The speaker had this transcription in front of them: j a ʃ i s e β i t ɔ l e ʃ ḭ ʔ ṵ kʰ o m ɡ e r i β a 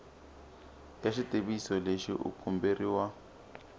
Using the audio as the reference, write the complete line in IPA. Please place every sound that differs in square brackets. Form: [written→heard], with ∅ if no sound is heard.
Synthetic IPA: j a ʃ i [s→t] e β i [t→s] ɔ l e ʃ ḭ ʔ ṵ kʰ [o→u] m [ɡ→b] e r i [β→w] a